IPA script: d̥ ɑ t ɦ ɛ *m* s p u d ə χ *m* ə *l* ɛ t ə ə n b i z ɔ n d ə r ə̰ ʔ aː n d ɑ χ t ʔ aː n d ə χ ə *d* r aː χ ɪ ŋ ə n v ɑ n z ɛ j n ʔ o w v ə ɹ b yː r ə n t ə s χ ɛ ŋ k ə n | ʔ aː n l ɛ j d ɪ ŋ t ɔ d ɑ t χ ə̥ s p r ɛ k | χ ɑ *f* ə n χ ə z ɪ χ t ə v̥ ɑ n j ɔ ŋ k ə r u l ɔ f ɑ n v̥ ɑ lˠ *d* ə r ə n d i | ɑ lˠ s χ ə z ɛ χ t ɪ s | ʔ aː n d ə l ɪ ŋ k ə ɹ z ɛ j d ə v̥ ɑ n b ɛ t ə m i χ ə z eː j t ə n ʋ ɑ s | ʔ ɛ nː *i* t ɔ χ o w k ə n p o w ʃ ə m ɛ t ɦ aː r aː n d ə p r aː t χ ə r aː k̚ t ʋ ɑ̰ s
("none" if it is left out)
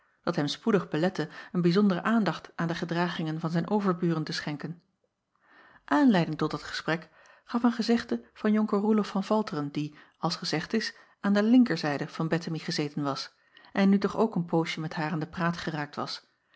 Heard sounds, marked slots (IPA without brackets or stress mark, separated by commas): m, b, l, d, f, t, y